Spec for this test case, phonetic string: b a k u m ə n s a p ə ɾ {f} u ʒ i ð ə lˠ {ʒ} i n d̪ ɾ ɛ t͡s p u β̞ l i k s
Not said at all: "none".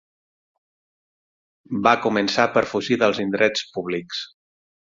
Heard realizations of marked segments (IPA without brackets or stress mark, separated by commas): f, z